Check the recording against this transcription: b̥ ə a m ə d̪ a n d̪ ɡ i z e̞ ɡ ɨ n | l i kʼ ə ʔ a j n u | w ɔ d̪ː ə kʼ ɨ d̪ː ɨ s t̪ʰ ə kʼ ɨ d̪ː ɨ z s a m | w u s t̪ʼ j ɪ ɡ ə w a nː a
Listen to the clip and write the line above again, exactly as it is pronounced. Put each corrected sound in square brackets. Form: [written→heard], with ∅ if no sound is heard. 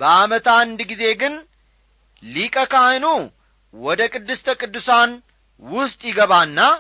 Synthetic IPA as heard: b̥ ə a m ə [d̪→t̪] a n d̪ ɡ i z e̞ ɡ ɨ n | l i kʼ ə [ʔ→k] a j n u | w ɔ [d̪ː→d̪] ə kʼ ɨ d̪ː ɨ s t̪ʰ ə kʼ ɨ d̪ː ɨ [z→∅] s a [m→n] | w [u→ʊ] s t̪ʼ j ɪ ɡ ə [w→β] a nː a